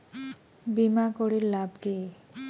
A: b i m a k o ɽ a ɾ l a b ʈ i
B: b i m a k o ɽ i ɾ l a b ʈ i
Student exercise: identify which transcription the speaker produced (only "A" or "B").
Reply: B